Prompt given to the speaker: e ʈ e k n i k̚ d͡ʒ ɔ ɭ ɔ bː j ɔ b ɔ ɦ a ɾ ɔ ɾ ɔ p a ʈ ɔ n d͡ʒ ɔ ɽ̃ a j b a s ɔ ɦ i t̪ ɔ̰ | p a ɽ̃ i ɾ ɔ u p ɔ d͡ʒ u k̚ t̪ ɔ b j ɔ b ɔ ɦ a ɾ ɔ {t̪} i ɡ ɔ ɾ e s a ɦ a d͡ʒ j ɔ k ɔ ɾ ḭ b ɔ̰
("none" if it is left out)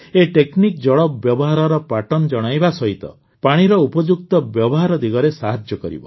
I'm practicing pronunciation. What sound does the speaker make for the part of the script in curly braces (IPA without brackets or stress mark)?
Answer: d̪